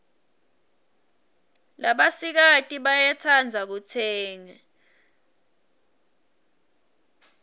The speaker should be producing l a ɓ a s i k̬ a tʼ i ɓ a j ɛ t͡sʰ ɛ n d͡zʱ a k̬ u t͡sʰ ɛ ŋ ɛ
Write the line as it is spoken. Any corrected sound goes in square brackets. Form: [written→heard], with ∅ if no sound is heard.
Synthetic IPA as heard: l a ɓ a s i k̬ a tʼ i ɓ a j ɛ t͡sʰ [ɛ→a] n d͡zʱ a k̬ u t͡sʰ [ɛ→ɛː] ŋ ɛ

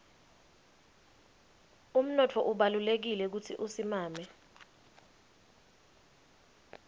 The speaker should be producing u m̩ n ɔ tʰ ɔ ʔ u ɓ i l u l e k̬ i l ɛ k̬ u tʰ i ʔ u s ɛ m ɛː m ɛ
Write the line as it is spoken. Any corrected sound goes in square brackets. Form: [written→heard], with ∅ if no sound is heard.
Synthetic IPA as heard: u m̩ n ɔ tʰ ɔ ʔ u ɓ [i→a] l u l e k̬ i l ɛ k̬ u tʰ i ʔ u s [ɛ→i] m [ɛː→aː] m ɛ

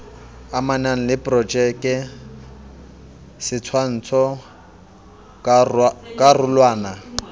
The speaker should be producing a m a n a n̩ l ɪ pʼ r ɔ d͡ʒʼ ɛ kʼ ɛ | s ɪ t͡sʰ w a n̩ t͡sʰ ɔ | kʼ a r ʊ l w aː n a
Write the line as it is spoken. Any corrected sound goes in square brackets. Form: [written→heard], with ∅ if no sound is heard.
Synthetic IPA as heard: a m a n a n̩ l ɪ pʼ r ɔ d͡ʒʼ ɛ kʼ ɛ | s ɪ t͡sʰ w a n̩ t͡sʰ ɔ | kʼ a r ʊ l w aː n a

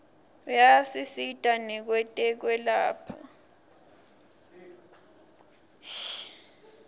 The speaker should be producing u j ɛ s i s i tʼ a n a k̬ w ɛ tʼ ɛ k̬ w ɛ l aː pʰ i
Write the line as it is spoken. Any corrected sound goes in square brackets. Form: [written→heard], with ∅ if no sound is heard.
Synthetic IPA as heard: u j [ɛ→a] s i s i tʼ a n [a→ɛ] k̬ w ɛ tʼ ɛ k̬ w ɛ l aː pʰ [i→a]

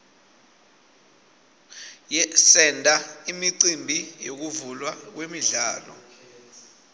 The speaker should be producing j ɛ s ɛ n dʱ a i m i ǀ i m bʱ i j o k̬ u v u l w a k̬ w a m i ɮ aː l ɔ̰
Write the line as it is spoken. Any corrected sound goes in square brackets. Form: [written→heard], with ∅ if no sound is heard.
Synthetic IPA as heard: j ɛ s ɛ n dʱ a i m i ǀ i m bʱ i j o k̬ u v u l w a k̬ w [a→e] m i ɮ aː l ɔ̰

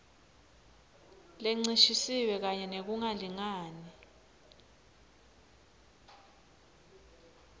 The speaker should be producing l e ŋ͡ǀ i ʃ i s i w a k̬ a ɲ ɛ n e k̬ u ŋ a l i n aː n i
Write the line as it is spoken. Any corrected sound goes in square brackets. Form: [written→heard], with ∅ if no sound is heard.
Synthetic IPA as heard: l e ŋ͡ǀ i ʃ i s i w [a→ɛ] k̬ a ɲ ɛ n e k̬ u ŋ a l i [n→ŋ] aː n i

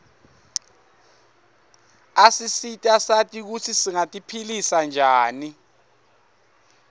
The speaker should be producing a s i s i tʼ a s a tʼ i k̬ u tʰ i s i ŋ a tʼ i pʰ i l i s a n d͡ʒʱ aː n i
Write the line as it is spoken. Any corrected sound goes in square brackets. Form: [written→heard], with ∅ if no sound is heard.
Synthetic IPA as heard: a s i s i tʼ a s a tʼ i k̬ u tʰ i s i ŋ a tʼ i pʰ i l i s a n d͡ʒʱ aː n i

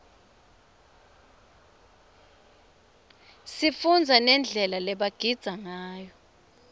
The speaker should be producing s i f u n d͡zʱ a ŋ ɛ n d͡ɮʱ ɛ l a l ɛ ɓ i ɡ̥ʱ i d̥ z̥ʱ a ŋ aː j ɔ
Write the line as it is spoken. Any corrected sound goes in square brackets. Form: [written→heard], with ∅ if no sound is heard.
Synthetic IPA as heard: s i f u n d͡zʱ a [ŋ→n] ɛ n d͡ɮʱ ɛ l a l ɛ ɓ [i→a] ɡ̥ʱ i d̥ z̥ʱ a ŋ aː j ɔ

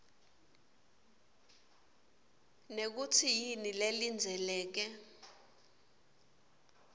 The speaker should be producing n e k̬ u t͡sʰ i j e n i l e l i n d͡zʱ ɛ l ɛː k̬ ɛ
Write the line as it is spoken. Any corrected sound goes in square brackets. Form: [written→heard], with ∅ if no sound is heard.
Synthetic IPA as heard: n e k̬ u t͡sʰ i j [e→i] n i l e l i n d͡zʱ ɛ l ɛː k̬ ɛ

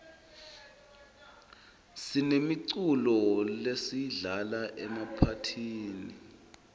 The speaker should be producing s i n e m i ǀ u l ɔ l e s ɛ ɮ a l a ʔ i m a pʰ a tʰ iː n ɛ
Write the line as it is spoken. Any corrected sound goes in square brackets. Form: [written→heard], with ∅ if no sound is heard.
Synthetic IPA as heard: s i n e m i ǀ u l ɔ l e s [ɛ→i] ɮ a l a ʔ [i→ɛ] m a pʰ a tʰ iː n [ɛ→i]

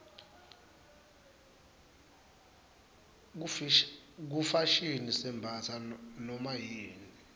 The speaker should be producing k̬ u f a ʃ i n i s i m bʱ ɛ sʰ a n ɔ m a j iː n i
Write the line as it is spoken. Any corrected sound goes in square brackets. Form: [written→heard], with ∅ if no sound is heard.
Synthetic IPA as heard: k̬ u f a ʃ i n i s [i→ɛ] m bʱ [ɛ→a] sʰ a n ɔ m a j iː n i

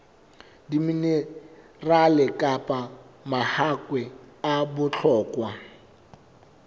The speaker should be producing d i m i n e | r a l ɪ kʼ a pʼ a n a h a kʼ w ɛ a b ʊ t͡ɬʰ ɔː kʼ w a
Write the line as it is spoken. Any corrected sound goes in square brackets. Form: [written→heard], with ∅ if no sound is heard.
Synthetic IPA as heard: d i m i n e | r a l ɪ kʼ a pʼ a [n→m] a h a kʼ w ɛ a b ʊ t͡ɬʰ ɔː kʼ w a

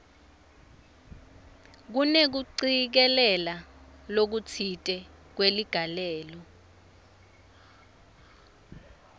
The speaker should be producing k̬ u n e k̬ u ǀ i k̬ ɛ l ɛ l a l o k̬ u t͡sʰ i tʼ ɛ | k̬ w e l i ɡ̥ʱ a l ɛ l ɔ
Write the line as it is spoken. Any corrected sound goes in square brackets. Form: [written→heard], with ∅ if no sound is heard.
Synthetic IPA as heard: k̬ u n e k̬ u ǀ i k̬ ɛ l ɛ l a l o k̬ u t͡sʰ i tʼ ɛ | k̬ w e l i ɡ̥ʱ a l [ɛ→ɛː] l ɔ

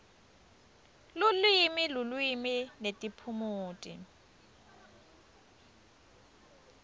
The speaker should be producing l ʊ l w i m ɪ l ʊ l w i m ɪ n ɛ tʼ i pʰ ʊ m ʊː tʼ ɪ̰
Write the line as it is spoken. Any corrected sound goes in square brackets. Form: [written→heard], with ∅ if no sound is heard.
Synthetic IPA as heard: l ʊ l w i m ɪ l ʊ l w i m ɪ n [ɛ→e] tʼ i pʰ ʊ m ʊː tʼ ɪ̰

